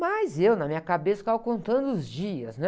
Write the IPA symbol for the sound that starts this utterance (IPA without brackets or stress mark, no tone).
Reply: m